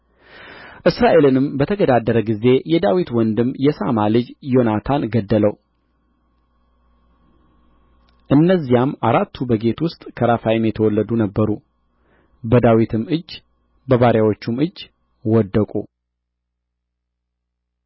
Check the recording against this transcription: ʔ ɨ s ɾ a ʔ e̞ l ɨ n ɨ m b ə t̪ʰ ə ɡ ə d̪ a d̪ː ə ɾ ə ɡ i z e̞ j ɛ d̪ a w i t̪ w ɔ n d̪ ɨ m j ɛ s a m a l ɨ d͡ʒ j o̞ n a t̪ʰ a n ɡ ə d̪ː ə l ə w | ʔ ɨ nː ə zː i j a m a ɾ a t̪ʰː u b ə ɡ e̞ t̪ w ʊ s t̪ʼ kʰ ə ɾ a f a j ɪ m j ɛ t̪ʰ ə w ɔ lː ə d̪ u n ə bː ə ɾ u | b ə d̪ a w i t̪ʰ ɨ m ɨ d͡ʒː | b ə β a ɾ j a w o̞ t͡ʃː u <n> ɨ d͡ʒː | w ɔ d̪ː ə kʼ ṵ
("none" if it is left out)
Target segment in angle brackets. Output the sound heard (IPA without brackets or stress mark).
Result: m